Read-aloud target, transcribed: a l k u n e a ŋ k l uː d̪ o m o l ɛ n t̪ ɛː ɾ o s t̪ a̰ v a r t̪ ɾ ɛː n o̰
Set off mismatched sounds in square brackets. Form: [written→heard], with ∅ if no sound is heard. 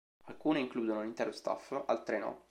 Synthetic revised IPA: a l k [u→uː] n e [a→i] ŋ k l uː d̪ o [m→n] o l [ɛ→i] n t̪ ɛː ɾ o s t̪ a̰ [v→f] a [r→l] t̪ ɾ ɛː n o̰